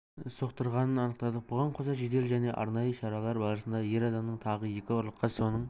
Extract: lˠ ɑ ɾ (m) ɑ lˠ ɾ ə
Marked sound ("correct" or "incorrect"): incorrect